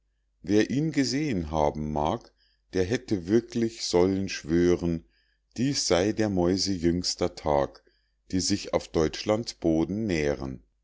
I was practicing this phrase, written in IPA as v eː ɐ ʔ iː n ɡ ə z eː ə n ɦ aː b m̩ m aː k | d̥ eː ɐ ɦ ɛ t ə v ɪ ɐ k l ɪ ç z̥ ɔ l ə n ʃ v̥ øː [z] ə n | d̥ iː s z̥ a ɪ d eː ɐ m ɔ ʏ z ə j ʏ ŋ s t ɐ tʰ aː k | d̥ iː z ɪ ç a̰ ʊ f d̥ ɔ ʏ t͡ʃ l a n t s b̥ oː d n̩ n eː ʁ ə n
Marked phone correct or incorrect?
incorrect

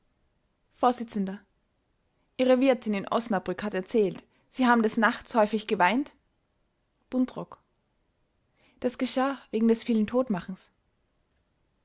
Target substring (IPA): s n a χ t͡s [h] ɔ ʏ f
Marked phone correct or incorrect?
correct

